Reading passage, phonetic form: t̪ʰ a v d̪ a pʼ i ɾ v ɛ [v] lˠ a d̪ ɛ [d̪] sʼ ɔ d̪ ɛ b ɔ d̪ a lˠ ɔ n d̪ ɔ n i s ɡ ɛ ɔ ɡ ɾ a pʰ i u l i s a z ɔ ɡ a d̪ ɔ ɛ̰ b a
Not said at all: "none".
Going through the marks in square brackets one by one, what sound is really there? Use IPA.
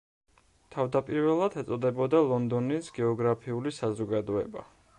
none, t̪

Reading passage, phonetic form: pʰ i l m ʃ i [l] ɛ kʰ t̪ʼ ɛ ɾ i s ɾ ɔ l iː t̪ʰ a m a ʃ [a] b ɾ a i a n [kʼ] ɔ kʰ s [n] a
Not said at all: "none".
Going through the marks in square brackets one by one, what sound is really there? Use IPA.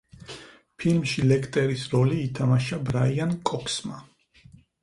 l, a, kʼ, m

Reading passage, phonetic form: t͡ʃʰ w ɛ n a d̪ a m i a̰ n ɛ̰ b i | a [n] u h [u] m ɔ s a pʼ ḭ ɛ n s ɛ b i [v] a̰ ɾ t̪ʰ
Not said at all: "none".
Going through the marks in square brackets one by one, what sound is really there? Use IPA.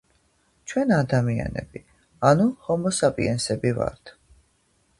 n, ɔ, v

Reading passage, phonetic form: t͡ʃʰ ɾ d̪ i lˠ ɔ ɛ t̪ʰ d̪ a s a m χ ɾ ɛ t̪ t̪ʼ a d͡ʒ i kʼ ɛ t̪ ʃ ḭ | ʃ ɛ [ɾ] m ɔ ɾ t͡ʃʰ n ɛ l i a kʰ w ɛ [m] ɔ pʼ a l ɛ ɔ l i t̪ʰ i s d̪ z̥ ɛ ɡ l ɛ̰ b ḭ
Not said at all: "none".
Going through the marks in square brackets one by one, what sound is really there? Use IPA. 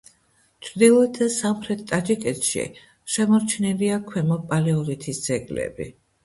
none, m

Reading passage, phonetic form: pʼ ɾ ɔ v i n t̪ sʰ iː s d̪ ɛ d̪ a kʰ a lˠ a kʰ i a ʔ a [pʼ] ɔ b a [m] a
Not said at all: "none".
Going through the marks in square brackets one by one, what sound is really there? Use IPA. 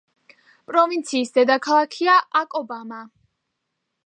kʼ, m

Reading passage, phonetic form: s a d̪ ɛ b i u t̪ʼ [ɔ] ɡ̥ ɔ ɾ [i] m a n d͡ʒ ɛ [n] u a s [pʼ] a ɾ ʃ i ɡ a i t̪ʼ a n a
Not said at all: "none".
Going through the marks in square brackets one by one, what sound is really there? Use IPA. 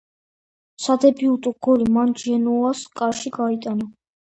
u, i, n, kʼ

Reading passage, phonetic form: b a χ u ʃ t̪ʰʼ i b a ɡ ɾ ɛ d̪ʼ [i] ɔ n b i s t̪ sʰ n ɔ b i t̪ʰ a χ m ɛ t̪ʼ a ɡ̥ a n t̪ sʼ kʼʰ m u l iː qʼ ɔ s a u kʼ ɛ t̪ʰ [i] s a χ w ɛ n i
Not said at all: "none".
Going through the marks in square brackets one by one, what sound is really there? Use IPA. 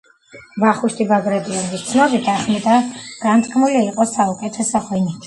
i, ɛ

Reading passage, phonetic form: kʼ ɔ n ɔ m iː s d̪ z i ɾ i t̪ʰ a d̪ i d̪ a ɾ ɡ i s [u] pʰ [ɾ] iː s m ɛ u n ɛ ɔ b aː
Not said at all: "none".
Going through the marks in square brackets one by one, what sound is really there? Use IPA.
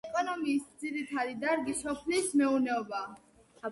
ɔ, l

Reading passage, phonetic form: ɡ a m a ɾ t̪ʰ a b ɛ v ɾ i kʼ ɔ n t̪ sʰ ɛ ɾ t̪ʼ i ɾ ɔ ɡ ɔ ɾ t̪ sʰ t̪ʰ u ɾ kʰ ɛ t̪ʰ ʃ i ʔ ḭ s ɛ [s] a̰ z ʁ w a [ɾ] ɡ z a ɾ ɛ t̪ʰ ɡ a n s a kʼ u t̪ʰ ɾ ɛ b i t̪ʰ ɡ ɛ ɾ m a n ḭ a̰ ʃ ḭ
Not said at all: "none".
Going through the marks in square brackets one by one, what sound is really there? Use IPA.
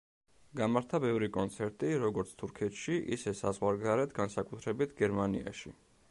s, ɾ

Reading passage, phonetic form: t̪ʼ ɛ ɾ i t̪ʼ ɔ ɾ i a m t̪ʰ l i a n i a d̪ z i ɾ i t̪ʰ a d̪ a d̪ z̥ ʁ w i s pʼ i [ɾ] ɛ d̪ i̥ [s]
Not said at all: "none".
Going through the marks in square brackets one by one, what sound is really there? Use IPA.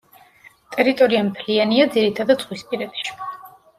ɾ, ʃ

